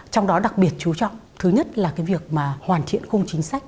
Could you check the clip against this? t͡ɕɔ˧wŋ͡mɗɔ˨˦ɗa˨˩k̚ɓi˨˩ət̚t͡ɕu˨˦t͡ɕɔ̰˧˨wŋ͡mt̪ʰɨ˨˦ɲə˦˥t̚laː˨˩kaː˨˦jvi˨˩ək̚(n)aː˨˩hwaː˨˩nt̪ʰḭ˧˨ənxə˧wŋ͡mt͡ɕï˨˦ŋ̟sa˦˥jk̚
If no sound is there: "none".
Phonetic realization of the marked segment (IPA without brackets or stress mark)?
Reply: m